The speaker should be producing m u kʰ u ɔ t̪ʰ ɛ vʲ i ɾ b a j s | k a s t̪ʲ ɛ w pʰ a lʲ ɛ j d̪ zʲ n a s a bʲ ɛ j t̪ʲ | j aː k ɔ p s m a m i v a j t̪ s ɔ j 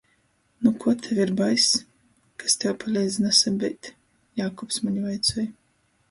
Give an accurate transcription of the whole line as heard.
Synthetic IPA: n u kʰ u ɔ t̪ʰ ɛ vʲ i ɾ b a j s | k a s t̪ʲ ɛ w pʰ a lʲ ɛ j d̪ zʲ n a s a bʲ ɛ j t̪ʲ | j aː k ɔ p s m a ɲ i v a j t̪ s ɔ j

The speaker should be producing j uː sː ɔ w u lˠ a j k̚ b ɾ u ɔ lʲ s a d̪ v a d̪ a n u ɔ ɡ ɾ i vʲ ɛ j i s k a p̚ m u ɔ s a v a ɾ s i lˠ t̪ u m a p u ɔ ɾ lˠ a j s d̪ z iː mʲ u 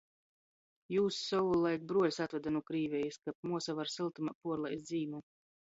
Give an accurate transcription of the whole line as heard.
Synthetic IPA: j uː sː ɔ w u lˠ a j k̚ b ɾ u ɔ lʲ s a t̪ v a d̪ a n u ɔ k ɾ iː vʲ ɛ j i s k a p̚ m u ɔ s a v a ɾ s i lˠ t̪ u m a p u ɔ ɾ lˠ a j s d̪ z iː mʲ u

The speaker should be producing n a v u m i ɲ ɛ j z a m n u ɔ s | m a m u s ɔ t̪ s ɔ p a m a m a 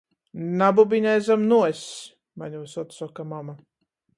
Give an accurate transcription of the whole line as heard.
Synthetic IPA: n a b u b i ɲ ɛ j z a m n u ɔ s | m a ɲ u s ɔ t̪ s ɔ k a m a m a

